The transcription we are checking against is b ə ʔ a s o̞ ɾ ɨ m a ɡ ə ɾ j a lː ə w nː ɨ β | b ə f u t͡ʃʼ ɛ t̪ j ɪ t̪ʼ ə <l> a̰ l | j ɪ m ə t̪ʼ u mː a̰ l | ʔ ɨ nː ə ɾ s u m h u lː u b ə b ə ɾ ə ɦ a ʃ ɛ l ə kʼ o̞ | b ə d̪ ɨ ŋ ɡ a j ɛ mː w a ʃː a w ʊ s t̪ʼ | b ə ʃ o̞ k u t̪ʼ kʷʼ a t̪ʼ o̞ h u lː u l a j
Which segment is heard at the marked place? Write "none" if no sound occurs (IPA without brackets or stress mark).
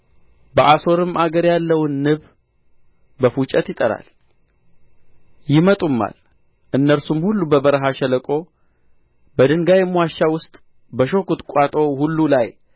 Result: ɾ